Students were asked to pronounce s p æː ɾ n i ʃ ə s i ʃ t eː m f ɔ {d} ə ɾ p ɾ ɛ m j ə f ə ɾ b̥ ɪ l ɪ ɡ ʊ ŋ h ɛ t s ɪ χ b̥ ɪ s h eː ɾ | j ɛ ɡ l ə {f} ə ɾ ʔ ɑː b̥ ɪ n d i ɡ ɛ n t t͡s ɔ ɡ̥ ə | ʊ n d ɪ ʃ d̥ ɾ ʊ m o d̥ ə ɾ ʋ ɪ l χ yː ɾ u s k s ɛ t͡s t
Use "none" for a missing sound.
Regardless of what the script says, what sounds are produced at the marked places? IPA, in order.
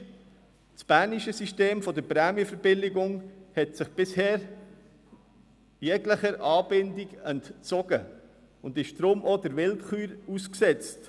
d, χ

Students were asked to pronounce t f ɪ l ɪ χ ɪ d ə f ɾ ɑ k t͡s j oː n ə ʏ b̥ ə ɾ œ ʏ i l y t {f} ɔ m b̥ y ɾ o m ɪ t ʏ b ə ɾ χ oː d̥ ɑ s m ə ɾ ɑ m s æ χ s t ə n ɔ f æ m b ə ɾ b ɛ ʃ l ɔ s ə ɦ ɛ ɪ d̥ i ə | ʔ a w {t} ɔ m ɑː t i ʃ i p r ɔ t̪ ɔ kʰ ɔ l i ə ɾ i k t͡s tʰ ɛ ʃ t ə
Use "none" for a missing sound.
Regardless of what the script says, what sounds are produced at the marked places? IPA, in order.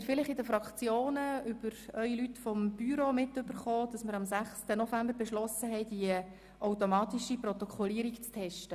f, t

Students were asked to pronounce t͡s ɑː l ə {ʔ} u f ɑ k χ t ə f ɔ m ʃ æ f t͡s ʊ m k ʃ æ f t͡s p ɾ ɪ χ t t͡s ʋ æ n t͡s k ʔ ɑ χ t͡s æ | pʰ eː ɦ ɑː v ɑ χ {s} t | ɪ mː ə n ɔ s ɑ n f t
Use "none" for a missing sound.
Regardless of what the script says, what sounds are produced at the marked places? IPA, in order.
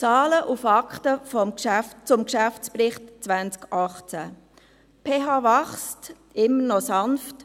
ʔ, s

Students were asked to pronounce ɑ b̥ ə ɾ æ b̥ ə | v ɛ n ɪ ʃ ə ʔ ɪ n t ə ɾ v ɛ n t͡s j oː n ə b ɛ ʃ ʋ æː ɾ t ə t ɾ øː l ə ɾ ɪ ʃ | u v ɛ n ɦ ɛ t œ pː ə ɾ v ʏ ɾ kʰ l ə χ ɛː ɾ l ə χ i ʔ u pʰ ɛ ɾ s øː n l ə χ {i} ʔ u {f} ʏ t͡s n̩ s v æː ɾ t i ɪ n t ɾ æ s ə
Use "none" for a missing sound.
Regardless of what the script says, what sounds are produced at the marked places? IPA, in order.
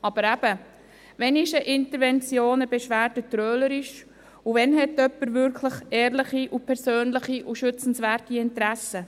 i, ʃ

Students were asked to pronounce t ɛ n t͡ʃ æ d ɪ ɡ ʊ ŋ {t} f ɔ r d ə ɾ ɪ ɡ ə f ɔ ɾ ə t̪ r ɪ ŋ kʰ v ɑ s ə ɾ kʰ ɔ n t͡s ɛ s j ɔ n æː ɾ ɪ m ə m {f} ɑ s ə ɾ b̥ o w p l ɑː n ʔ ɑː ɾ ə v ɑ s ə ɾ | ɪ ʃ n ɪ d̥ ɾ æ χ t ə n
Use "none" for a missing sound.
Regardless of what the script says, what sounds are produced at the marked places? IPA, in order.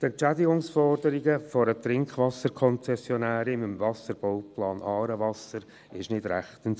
s, v

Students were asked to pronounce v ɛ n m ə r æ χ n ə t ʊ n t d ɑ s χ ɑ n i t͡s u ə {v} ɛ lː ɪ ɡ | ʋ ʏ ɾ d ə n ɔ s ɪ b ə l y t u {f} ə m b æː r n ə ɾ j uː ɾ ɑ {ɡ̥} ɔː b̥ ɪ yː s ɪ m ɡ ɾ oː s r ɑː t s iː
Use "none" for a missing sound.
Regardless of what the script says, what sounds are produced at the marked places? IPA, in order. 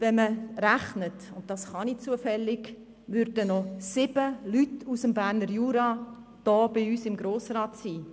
f, s, d̥

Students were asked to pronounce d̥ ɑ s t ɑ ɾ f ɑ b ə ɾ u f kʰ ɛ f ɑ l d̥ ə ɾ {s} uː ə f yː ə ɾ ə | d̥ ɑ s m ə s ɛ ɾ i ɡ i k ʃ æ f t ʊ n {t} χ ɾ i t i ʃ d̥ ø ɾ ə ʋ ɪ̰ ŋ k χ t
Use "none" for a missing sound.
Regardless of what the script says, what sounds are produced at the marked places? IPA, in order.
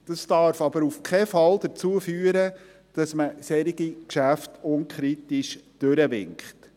t͡s, k

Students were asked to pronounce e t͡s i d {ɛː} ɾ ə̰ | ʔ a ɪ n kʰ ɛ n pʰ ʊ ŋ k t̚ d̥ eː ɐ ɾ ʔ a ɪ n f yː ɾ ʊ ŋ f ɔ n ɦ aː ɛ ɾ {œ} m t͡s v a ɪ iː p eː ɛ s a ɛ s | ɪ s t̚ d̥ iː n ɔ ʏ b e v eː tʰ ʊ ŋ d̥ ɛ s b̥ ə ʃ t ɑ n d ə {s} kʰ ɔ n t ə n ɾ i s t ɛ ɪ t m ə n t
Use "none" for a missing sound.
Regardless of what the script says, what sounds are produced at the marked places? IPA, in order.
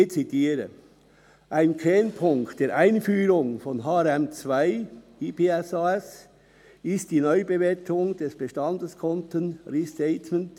iː, ɛ, s

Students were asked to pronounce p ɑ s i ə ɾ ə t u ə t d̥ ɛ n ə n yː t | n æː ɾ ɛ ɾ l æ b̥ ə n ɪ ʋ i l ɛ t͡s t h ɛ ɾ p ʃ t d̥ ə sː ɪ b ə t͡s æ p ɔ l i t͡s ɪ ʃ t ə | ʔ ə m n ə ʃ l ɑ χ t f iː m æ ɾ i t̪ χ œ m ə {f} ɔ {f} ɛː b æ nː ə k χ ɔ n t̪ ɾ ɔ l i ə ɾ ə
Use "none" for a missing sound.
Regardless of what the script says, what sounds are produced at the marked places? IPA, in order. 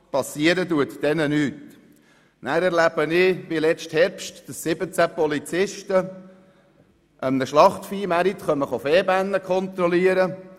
χ, f

